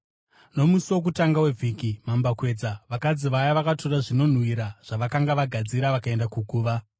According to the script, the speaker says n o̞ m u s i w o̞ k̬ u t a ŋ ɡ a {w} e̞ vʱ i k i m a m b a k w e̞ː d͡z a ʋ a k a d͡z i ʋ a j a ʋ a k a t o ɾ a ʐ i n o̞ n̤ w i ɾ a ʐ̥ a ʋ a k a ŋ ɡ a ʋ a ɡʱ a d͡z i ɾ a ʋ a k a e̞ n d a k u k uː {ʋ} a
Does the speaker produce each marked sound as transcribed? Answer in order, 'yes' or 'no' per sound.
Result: yes, yes

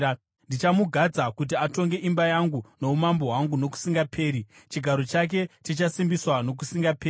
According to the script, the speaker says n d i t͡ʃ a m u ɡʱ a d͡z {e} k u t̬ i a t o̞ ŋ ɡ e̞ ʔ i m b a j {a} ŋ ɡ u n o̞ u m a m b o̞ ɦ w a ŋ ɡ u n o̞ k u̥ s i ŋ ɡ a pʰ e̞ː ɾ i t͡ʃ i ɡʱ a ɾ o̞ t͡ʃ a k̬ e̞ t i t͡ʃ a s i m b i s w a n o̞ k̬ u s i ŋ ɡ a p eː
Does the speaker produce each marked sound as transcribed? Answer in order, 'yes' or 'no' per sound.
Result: no, yes

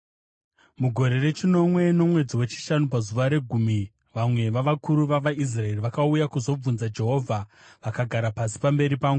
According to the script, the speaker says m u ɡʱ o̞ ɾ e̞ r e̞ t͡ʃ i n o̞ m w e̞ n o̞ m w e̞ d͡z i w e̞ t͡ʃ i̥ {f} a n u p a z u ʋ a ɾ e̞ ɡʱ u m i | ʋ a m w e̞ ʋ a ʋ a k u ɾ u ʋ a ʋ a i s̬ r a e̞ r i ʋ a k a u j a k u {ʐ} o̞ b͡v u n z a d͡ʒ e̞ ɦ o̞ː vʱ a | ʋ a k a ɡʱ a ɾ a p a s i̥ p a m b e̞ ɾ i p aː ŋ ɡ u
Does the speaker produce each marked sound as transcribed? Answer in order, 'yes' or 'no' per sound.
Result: no, no

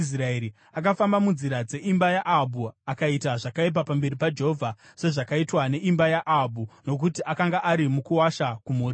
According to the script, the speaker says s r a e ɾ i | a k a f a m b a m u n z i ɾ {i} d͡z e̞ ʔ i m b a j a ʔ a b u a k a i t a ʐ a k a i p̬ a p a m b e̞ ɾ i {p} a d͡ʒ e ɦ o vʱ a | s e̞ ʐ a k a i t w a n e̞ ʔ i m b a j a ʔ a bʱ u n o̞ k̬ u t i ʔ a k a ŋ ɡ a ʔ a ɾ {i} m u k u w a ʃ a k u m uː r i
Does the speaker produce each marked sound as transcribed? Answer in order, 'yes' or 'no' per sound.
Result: no, yes, yes

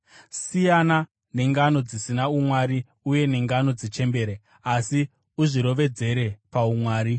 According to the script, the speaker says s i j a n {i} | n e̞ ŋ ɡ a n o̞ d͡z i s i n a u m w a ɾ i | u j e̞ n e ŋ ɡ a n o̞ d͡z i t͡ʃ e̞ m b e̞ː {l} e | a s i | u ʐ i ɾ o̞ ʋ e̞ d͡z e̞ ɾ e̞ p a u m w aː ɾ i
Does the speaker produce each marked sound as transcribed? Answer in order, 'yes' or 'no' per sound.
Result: no, no

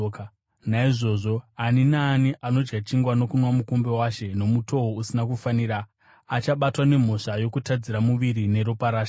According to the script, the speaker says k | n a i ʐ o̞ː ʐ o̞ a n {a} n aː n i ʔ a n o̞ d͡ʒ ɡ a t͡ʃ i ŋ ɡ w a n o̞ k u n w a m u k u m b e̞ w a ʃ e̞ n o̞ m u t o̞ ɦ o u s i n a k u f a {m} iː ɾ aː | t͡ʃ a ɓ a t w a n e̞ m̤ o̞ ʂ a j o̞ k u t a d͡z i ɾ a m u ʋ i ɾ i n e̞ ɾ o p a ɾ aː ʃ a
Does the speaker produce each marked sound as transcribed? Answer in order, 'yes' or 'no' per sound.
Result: no, no

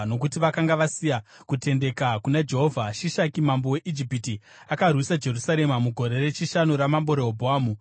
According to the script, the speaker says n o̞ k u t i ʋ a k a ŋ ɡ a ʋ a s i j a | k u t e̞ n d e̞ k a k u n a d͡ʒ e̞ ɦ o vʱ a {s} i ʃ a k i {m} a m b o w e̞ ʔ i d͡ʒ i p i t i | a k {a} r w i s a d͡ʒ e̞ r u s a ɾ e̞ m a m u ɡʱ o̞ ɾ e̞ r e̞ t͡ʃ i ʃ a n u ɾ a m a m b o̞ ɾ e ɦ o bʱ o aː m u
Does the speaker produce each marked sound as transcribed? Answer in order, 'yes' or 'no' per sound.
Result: no, yes, yes

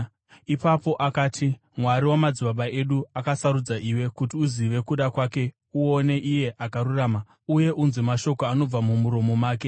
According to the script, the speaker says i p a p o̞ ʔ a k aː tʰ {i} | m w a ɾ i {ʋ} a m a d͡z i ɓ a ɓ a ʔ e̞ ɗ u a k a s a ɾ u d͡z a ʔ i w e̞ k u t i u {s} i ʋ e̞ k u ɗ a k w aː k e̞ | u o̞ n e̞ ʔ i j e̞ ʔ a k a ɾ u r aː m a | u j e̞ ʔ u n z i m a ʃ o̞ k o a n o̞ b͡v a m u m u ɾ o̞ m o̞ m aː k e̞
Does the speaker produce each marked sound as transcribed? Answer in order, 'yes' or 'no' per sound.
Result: yes, no, no

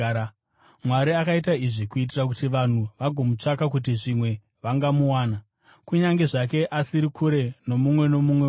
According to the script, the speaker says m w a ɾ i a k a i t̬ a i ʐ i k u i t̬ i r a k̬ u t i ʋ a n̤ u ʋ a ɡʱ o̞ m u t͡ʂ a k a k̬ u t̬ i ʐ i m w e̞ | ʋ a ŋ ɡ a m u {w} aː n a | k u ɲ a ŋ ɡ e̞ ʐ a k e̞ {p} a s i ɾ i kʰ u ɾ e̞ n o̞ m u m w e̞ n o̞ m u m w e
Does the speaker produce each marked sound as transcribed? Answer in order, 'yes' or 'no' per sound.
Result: yes, no

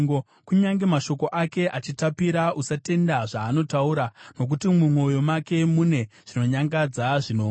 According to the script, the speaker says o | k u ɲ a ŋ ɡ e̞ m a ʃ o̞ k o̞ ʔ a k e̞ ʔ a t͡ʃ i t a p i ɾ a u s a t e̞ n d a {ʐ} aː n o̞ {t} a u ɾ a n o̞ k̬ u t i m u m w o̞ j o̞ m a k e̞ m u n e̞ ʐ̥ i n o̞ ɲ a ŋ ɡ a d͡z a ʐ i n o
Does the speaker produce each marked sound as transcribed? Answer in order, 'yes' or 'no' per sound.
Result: yes, yes

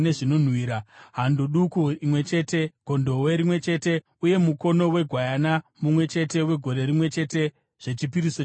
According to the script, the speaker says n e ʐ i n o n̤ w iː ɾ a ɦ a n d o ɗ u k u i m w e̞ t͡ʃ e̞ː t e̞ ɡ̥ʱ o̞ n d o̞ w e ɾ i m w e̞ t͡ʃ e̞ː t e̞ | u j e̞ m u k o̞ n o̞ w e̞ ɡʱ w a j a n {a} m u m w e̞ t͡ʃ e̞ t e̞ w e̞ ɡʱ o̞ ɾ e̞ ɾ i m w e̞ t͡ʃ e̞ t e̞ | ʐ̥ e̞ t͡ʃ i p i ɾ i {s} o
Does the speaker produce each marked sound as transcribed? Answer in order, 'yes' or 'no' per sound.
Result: yes, yes

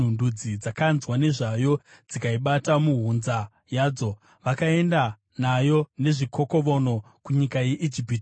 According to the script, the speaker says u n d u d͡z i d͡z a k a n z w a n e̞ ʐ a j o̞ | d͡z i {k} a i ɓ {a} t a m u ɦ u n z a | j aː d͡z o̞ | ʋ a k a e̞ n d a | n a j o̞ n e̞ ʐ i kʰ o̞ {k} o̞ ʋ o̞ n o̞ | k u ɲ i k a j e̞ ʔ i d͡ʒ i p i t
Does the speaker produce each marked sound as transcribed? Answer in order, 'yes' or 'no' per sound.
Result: yes, yes, yes

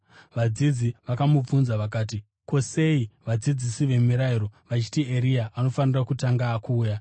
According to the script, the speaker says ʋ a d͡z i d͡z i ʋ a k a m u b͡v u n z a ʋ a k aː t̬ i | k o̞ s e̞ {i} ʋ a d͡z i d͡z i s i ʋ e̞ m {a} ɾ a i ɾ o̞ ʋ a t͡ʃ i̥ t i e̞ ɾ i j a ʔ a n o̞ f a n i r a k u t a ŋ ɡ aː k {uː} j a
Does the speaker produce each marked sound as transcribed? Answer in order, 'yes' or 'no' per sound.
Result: yes, no, yes

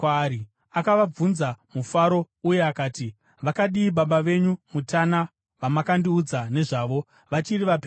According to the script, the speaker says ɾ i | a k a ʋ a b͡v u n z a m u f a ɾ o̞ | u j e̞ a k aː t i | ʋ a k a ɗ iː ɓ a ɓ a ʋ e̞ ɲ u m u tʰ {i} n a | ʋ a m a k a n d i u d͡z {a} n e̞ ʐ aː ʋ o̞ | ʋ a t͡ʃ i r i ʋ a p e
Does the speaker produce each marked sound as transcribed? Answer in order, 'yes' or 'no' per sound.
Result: no, yes

